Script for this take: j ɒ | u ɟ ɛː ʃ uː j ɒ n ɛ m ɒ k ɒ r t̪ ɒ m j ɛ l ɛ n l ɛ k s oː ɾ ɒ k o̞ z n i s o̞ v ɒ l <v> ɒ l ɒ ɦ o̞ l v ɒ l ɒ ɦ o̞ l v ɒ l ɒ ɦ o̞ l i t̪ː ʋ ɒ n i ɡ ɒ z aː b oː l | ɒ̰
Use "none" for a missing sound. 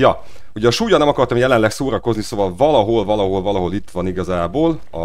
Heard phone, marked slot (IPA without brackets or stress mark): v